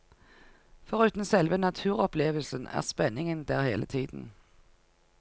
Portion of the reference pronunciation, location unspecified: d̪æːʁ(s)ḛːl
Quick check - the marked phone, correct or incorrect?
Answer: incorrect